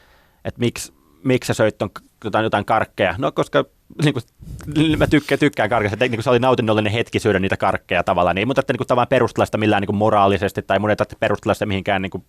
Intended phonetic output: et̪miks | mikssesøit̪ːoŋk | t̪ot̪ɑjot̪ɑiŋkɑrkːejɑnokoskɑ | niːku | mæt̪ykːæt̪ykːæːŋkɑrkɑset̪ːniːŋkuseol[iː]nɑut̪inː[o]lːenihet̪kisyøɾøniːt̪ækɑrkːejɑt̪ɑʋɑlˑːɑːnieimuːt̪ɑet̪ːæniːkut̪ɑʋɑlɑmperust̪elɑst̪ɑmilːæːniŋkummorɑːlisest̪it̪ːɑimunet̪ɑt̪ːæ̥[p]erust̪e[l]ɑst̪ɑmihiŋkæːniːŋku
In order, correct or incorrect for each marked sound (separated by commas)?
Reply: incorrect, correct, correct, correct